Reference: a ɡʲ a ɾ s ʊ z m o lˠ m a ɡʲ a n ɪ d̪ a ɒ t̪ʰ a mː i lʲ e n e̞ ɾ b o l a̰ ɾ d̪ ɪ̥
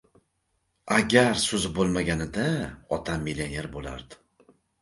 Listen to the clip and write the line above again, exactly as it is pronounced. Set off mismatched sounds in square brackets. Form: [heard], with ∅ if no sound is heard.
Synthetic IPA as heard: a ɡʲ a ɾ s ʊ z [b] o lˠ m a ɡʲ a n ɪ d̪ a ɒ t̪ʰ a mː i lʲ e n e̞ ɾ b o l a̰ ɾ d̪ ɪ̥